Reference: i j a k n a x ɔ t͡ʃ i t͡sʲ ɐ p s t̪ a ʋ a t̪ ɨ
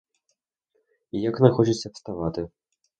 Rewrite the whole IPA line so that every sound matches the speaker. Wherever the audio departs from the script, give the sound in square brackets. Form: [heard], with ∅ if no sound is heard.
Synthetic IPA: i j a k n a x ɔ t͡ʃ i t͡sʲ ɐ p s t̪ a [v] a t̪ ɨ